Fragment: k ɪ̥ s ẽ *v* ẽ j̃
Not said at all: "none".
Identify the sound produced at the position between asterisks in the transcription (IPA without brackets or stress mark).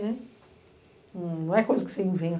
v